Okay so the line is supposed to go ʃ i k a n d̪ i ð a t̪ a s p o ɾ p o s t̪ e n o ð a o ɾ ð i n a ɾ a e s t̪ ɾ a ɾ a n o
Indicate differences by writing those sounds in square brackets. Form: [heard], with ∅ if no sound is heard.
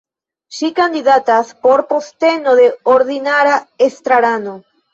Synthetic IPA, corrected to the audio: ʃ i k a n d̪ i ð a t̪ a s p o ɾ p o s t̪ e n o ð [e] o ɾ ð i n a ɾ a e s t̪ ɾ a ɾ a n o